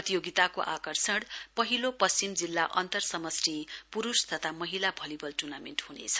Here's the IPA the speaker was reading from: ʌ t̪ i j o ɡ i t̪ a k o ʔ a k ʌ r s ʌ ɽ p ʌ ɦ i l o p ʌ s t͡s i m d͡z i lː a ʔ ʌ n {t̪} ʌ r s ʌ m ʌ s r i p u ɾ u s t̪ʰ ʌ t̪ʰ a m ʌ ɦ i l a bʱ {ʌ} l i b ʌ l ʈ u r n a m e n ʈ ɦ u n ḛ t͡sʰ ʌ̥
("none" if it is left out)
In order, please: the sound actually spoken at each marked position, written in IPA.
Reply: t̪, ʌ

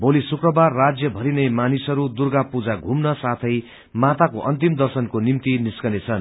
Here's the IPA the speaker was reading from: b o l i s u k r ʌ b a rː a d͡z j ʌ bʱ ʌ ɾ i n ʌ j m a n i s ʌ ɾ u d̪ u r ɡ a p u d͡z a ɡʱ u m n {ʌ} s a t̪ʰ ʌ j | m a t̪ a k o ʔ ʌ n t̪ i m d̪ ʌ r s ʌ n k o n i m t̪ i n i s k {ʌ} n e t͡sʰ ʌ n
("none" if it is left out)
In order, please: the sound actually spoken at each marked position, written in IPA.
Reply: ʌ, ʌ

